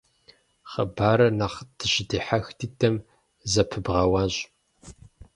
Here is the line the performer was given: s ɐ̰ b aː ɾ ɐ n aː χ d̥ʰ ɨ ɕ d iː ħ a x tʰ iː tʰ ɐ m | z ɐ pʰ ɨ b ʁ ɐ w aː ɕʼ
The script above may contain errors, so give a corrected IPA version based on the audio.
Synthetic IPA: χ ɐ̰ b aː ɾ ɐ n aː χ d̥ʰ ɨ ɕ d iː ħ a x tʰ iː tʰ ɐ m | z ɐ pʰ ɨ b ʁ ɐ w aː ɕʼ